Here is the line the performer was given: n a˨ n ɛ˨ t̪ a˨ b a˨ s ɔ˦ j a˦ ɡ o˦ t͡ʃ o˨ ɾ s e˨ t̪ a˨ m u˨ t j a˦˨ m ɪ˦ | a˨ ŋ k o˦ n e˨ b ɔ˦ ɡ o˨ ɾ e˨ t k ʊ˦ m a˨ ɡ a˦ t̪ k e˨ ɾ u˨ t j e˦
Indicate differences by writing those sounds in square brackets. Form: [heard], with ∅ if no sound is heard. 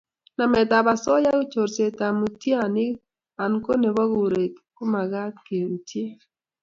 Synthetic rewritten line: n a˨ [m] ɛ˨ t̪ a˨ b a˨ s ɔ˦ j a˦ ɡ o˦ t͡ʃ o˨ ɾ s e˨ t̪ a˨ m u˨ t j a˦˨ [n] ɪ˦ | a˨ [n] k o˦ n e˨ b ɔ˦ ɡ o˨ ɾ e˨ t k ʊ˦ m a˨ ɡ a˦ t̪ k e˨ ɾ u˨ t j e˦